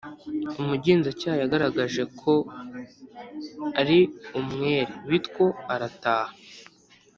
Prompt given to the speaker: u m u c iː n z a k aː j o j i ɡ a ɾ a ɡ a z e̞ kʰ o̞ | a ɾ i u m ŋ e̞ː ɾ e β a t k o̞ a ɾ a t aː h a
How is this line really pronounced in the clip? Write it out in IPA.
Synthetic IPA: u m u ɟ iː n z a c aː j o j a ɡ a ɾ a ɡ a ʒ e̞ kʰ o̞ | a ɾ i u m ŋ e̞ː ɾ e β i t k o̞ a ɾ a t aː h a